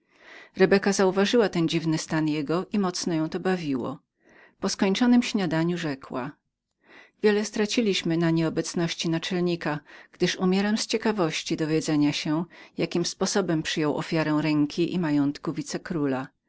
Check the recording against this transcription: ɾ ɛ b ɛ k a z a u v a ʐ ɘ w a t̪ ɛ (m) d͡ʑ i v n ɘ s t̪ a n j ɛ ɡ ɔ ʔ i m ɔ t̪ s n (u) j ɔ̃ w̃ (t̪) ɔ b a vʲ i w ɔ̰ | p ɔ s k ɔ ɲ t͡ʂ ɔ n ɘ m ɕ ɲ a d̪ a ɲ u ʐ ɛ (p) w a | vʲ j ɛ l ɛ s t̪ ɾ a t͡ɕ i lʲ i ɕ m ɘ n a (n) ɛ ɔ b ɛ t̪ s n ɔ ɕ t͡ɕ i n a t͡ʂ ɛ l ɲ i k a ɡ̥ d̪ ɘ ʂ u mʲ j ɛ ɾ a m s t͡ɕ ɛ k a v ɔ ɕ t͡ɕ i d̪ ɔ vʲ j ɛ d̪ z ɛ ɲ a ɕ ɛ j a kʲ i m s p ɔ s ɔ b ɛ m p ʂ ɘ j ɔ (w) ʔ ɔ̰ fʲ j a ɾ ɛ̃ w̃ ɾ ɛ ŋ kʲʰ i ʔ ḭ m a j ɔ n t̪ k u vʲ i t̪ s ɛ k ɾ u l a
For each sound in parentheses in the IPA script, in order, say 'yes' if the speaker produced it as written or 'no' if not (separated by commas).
no, no, yes, no, no, yes